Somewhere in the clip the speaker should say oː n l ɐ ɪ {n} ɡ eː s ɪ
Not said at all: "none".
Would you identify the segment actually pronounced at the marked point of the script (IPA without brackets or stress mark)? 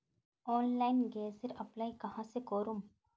n